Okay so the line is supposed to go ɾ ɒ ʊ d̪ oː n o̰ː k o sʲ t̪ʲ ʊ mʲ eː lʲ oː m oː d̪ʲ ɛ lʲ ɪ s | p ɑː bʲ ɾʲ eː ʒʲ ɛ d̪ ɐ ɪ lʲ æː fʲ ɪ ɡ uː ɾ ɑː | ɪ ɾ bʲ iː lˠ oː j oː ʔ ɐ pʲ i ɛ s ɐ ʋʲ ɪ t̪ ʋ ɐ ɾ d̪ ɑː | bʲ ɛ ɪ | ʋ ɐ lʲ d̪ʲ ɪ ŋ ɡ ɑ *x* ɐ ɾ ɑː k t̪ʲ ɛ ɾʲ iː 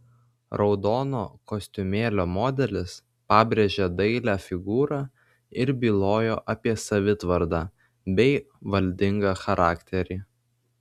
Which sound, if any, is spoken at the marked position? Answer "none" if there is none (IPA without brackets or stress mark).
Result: x